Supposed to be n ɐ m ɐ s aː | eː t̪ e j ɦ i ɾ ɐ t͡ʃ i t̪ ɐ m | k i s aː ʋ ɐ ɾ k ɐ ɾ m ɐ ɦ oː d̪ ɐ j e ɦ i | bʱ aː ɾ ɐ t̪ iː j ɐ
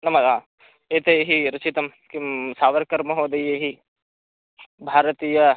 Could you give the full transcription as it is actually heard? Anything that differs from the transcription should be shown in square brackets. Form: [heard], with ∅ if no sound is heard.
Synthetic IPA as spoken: n ɐ m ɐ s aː | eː t̪ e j ɦ i ɾ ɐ t͡ʃ i t̪ ɐ m | k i s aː ʋ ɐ ɾ k ɐ ɾ m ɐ ɦ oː d̪ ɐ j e ɦ i | bʱ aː ɾ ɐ t̪ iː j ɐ